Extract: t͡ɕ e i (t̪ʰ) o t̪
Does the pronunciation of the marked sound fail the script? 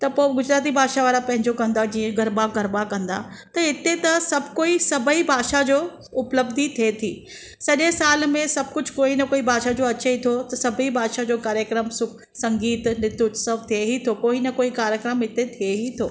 no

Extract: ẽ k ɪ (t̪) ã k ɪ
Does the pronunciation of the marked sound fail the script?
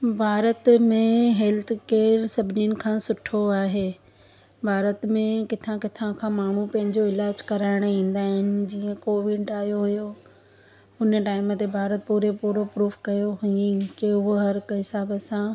yes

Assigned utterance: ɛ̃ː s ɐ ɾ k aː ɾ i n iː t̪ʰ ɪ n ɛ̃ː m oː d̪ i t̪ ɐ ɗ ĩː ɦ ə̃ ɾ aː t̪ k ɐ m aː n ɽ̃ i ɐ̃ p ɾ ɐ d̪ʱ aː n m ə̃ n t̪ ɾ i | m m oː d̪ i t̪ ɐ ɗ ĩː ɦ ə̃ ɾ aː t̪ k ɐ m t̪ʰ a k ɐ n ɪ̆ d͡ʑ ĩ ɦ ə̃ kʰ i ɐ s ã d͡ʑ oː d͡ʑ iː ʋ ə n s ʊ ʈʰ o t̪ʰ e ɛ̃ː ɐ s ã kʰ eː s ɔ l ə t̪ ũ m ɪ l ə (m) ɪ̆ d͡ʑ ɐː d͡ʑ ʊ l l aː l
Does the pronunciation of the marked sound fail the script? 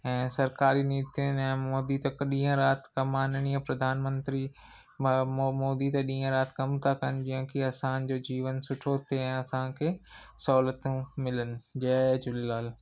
yes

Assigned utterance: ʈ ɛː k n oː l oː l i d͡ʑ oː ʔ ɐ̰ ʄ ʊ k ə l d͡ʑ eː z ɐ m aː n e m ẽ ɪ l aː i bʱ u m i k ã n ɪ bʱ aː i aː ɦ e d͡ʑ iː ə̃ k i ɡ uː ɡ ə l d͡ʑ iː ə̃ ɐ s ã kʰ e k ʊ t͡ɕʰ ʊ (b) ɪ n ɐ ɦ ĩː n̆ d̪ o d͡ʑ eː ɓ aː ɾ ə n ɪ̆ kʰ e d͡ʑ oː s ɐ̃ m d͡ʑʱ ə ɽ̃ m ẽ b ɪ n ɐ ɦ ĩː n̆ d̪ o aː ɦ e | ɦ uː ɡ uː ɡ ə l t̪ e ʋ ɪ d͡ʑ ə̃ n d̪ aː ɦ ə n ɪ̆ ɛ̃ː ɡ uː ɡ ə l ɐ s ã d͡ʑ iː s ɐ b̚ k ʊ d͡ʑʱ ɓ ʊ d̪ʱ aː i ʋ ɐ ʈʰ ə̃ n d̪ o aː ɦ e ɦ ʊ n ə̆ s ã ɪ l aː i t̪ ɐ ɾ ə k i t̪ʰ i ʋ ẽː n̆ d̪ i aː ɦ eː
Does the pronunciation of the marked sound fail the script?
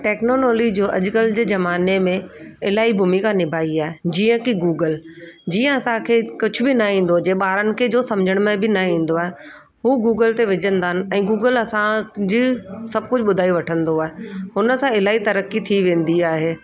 no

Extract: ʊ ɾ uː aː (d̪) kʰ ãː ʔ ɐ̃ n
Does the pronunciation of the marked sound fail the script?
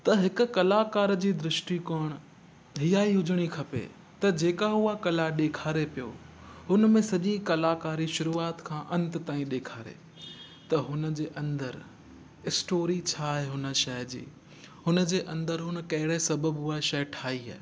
yes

